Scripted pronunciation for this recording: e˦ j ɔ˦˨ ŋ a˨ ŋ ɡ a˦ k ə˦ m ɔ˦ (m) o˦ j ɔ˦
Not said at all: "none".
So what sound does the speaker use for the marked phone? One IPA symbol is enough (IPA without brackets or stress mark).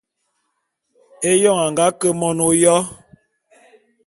n